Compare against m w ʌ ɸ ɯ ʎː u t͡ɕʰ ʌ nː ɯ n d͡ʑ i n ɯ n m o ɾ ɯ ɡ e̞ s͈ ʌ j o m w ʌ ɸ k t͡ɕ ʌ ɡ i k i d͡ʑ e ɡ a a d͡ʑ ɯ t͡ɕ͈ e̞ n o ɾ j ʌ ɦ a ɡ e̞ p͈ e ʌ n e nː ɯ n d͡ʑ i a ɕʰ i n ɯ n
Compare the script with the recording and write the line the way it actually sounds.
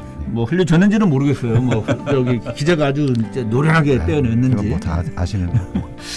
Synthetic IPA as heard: m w ʌ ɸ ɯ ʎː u t͡ɕ ʌ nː ɯ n d͡ʑ i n ɯ n m o ɾ ɯ ɡ e̞ s͈ ʌ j o m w ʌ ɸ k t͡ɕ ʌ ɡ i k i d͡ʑ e ɡ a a d͡ʑ u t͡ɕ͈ e̞ n o ɾ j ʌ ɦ a ɡ e̞ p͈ e ʌ n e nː ɯ n d͡ʑ i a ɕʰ i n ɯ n